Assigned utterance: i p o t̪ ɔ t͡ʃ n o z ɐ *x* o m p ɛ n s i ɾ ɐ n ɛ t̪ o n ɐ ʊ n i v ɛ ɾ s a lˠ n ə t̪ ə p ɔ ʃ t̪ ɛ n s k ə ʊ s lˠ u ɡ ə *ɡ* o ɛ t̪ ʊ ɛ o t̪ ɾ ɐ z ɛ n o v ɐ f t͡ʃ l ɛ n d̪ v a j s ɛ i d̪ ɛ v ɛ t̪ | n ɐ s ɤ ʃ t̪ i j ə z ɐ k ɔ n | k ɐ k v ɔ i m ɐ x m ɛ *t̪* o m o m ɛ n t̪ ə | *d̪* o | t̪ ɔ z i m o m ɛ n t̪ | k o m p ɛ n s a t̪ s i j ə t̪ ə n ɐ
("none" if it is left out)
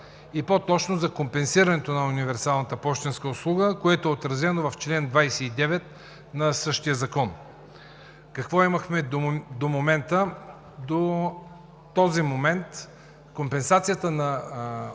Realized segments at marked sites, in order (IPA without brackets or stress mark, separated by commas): k, k, d̪, d̪